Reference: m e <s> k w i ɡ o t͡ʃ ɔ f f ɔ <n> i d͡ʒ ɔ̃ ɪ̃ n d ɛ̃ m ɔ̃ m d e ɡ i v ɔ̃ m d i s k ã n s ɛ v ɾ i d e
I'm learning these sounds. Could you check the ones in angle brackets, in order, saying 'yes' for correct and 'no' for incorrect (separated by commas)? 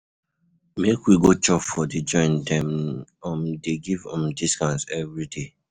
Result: no, no